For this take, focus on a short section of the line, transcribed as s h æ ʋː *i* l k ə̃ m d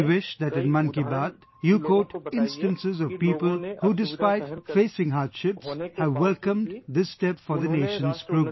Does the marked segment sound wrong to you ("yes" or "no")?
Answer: yes